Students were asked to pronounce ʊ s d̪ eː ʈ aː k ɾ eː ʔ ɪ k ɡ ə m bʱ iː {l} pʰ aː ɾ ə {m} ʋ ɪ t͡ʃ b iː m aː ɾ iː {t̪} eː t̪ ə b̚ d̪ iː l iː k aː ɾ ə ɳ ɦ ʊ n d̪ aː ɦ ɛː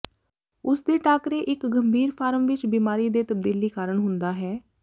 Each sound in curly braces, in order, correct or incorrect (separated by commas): incorrect, correct, incorrect